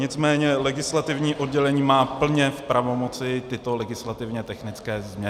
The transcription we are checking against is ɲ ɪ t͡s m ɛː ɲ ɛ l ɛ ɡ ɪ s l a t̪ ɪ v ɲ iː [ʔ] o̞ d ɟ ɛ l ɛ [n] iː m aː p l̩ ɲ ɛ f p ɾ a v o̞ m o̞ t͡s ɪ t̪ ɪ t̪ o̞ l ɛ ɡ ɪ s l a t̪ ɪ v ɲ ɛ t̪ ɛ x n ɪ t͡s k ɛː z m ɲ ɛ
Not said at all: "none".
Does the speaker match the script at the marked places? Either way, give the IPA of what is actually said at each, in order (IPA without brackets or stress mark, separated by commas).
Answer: ʔ, ɲ